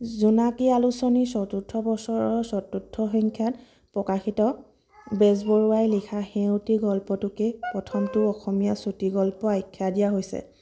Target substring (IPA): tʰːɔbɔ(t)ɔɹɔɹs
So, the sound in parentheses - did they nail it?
no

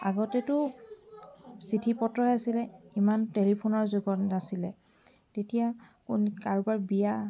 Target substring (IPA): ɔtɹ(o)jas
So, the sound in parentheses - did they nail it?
no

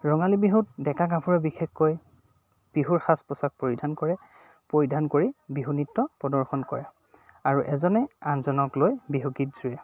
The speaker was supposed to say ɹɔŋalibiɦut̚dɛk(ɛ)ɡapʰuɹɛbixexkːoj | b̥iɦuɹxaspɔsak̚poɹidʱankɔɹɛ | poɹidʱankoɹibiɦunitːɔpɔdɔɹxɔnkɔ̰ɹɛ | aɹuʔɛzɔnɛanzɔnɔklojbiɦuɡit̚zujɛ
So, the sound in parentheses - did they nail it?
no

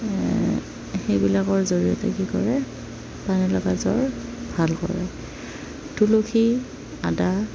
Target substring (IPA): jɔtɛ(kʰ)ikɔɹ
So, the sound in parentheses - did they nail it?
no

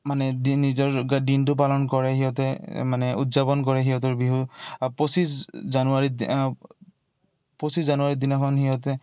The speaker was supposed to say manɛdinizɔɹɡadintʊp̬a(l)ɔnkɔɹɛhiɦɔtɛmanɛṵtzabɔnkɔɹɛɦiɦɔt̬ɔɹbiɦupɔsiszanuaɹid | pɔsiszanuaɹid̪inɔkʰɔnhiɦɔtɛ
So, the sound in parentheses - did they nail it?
yes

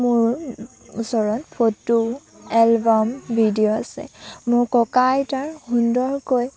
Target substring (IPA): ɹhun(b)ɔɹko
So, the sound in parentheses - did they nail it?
no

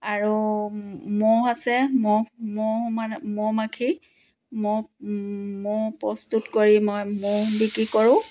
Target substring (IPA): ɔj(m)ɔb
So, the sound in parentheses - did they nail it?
yes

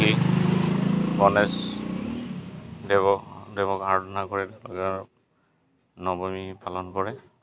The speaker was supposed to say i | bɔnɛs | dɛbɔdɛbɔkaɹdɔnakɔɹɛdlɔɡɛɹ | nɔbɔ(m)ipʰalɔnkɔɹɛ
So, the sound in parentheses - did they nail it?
yes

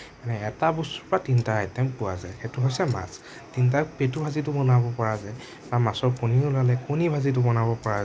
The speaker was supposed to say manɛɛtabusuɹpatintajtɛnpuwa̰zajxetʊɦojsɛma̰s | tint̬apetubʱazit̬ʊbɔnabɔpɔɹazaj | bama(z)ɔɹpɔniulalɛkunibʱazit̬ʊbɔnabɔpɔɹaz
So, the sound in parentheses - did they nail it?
no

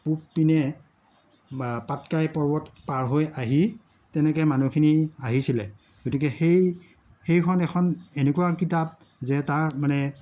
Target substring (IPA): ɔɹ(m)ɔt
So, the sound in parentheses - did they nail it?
no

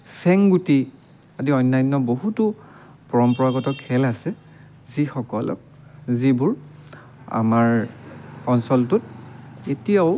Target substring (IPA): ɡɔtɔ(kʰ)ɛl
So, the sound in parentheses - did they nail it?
yes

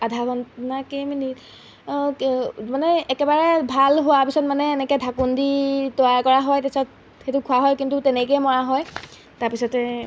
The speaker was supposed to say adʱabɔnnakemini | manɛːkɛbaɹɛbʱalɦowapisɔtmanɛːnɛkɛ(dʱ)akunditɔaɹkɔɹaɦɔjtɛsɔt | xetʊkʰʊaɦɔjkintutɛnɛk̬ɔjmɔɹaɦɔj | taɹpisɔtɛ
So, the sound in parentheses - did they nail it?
yes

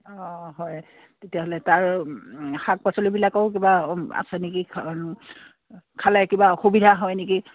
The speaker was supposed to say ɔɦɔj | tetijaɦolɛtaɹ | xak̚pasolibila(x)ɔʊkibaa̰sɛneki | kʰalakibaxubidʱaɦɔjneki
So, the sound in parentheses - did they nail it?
no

